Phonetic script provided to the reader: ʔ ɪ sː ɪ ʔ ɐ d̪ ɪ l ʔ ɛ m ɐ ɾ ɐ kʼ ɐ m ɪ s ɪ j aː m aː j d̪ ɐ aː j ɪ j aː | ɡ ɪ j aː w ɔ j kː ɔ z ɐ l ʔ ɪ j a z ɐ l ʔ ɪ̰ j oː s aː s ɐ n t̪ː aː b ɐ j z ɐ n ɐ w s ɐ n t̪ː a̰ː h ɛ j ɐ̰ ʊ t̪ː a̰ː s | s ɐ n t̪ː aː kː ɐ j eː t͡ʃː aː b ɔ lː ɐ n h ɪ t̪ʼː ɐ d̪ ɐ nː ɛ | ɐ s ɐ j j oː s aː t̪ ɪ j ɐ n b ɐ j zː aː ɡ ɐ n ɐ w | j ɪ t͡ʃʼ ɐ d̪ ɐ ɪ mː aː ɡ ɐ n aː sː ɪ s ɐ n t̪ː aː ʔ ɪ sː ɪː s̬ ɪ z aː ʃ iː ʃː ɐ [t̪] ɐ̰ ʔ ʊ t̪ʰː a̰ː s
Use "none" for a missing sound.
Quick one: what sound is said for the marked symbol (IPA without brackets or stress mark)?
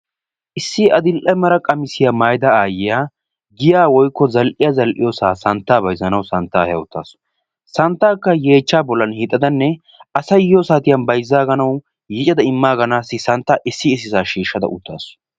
d̪